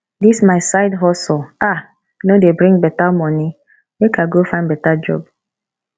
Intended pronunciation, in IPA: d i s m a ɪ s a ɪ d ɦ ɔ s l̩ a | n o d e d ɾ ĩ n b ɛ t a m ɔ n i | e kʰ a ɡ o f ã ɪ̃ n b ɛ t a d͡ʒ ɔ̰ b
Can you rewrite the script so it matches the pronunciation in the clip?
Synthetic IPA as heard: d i s m a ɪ s a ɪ d ɦ ɔ s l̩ a | n o d e b ɾ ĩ ŋ b ɛ t a m ɔ n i | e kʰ a ɡ o f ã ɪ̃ n b ɛ t a d͡ʒ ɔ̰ b